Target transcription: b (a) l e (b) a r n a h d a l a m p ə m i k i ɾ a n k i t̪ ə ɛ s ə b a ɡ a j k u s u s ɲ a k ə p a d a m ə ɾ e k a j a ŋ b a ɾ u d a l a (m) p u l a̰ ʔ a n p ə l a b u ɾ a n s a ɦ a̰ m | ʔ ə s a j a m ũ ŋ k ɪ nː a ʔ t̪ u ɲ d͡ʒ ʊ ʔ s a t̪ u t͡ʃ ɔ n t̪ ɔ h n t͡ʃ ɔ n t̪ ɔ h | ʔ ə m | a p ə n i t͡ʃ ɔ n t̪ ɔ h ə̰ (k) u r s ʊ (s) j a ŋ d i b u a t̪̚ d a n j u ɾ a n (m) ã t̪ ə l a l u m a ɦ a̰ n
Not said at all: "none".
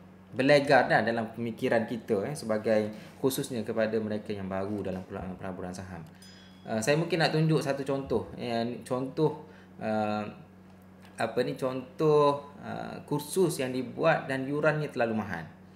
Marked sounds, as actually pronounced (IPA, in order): ə, ɡ, m, k, s, ɲ

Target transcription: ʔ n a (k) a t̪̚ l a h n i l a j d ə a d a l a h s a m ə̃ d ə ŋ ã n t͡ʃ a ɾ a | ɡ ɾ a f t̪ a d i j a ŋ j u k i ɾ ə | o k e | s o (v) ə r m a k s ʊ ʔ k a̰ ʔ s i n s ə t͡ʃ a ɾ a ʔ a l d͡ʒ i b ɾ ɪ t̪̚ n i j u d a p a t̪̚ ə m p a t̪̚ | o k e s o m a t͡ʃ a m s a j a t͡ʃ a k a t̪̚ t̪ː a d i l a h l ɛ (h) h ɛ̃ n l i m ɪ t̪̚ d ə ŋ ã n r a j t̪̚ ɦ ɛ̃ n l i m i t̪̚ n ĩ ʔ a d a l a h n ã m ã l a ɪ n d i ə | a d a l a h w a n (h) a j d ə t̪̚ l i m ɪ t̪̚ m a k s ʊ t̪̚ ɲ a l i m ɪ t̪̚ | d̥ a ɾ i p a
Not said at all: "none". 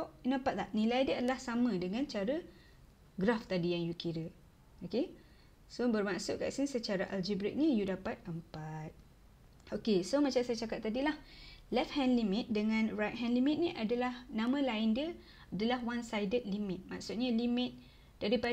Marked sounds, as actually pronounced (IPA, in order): p, b, f, s

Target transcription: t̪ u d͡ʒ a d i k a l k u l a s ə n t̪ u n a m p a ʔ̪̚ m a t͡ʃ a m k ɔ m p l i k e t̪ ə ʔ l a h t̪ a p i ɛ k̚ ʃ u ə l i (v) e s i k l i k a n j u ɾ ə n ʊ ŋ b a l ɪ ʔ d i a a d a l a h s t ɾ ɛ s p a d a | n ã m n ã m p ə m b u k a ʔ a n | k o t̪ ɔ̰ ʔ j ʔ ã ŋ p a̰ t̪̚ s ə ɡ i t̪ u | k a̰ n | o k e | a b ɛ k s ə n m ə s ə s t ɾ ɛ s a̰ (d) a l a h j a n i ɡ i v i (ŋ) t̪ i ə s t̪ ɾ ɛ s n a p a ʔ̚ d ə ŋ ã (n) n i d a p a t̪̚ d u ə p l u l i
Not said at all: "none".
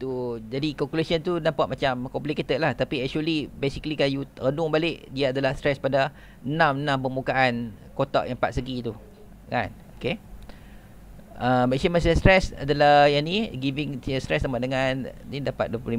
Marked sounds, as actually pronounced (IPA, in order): b, d, ŋ, n

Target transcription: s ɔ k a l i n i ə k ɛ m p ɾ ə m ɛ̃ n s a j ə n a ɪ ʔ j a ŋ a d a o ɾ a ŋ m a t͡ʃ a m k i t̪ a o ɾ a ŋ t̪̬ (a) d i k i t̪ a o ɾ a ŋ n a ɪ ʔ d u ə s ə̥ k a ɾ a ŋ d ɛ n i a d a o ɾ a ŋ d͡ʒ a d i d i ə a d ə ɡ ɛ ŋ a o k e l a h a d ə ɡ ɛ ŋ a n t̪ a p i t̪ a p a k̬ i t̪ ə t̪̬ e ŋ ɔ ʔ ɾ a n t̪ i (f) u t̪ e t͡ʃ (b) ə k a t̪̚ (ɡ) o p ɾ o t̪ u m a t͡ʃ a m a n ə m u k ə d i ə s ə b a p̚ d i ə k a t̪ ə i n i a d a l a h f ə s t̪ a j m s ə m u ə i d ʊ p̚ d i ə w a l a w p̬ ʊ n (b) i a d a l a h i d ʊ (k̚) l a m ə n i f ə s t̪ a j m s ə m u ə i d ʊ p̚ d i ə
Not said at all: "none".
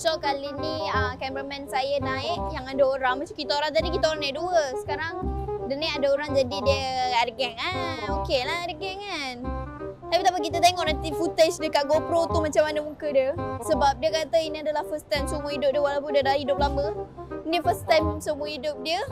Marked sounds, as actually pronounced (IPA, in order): a, f, d, ɡ, d, p̚

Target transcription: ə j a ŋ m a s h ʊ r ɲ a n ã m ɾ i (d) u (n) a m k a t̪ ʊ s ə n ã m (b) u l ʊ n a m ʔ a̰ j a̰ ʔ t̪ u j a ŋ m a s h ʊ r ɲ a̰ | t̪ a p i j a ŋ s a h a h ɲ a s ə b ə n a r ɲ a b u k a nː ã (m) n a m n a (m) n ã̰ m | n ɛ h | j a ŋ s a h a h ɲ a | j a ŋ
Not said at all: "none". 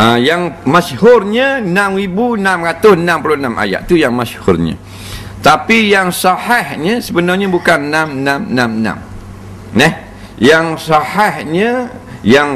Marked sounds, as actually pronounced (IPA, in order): b, n, p, m, m

